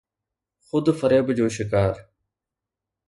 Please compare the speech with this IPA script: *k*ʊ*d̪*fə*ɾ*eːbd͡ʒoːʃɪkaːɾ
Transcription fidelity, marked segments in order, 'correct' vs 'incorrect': incorrect: x, correct, correct

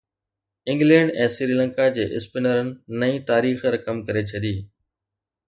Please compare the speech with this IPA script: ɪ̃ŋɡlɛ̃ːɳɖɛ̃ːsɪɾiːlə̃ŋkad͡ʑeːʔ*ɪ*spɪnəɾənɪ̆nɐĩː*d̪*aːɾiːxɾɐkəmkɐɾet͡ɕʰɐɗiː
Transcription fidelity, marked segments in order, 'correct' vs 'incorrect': correct, incorrect: t̪

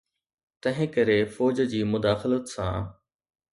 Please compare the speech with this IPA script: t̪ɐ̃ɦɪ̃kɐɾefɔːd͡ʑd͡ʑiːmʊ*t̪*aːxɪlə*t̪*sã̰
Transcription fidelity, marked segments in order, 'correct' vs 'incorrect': incorrect: d̪, correct

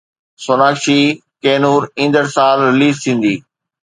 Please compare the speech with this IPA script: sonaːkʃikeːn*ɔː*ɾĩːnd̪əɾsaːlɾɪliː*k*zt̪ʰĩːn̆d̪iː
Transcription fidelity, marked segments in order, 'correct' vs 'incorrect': incorrect: uː, incorrect: none

